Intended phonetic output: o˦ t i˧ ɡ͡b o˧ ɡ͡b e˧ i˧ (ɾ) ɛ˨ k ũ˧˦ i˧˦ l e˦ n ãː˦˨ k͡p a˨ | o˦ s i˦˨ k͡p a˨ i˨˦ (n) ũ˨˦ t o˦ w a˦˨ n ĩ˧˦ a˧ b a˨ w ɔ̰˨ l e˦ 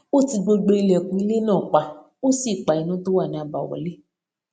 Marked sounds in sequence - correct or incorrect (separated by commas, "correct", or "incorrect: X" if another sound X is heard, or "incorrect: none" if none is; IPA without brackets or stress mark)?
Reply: incorrect: l, correct